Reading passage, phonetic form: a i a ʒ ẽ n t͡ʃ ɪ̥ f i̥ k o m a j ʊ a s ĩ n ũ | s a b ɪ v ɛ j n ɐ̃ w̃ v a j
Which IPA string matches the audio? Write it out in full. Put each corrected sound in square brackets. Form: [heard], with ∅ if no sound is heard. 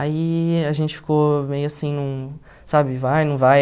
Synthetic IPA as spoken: a i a ʒ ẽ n t͡ʃ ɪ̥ f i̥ k o m [e] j ʊ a s ĩ n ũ | s a b ɪ v [a] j n ɐ̃ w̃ v a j